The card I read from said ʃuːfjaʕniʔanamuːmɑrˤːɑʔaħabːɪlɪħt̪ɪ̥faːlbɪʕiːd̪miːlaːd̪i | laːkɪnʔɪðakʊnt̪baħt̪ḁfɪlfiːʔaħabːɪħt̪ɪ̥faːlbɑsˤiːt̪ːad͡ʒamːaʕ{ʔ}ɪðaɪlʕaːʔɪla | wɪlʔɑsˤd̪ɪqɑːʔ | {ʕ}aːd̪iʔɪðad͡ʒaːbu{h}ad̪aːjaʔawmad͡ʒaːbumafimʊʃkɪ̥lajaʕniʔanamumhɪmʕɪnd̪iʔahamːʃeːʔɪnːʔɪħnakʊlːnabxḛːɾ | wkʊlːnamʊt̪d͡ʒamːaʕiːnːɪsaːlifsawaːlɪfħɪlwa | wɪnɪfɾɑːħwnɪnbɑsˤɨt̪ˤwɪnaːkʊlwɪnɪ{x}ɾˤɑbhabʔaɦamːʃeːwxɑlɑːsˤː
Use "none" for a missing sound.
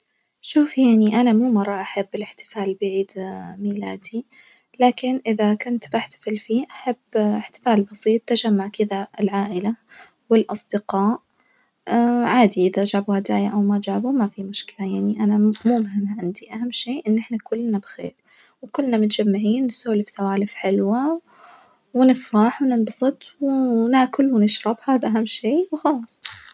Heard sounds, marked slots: k, ʕ, h, ʃ

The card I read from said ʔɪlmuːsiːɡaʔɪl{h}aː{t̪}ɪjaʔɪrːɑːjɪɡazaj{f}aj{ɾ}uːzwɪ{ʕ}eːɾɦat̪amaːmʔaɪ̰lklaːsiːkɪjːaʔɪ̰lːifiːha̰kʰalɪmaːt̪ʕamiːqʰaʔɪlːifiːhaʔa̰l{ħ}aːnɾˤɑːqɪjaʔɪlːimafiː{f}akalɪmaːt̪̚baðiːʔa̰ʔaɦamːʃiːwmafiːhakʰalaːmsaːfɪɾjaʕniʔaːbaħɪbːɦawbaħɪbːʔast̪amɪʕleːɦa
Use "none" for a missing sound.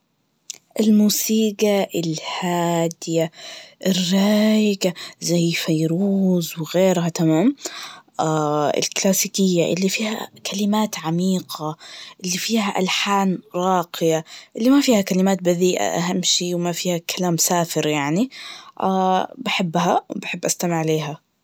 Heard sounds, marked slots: h, d̪, f, ɾ, ɣ, ħ, h

